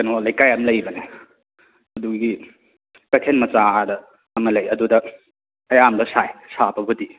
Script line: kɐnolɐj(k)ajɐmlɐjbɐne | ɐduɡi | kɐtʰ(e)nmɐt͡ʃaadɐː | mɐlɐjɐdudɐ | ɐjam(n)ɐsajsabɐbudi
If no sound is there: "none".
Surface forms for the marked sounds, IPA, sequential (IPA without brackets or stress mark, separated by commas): k, e, d